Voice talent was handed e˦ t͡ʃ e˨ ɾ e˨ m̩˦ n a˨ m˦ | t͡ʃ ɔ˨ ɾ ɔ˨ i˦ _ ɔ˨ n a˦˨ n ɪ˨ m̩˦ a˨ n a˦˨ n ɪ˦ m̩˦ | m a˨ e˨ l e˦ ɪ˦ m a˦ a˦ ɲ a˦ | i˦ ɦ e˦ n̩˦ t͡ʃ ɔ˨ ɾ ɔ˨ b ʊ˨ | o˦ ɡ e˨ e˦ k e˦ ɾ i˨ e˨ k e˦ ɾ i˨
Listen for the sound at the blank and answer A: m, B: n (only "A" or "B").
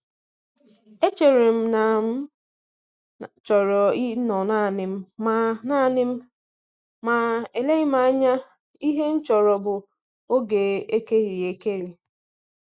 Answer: B